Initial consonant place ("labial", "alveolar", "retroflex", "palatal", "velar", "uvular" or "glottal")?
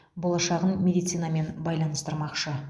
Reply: labial